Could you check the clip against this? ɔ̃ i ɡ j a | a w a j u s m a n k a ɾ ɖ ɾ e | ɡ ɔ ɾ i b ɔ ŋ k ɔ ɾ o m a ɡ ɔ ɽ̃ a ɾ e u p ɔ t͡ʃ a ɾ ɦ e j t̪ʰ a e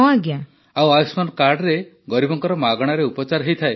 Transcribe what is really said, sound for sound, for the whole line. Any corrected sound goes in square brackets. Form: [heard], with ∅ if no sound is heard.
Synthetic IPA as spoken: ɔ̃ [a] ɡ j a | a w a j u s m a n k a ɾ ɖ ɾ e | ɡ ɔ ɾ i b ɔ ŋ k ɔ ɾ [ɔ] m a ɡ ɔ ɽ̃ a ɾ e u p ɔ t͡ʃ a ɾ ɦ e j t̪ʰ a e